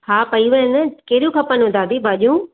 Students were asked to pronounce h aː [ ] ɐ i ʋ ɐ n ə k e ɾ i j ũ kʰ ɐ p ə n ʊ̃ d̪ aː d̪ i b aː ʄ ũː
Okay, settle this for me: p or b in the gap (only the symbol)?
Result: p